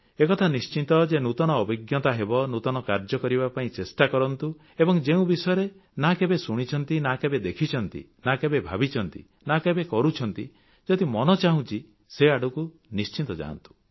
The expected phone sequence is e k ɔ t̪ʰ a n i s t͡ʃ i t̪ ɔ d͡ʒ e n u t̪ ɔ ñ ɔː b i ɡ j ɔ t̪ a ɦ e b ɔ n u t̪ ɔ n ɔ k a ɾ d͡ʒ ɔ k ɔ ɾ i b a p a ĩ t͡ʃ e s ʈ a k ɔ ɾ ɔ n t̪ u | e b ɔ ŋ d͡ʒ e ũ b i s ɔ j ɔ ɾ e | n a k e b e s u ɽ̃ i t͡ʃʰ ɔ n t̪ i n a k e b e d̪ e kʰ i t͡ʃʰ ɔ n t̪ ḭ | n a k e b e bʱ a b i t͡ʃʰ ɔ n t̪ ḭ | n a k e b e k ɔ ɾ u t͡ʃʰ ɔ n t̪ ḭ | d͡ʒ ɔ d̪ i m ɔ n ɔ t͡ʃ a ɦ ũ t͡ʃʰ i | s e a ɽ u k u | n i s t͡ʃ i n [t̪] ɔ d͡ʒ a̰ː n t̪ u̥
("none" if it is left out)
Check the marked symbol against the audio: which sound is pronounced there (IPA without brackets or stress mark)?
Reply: t̪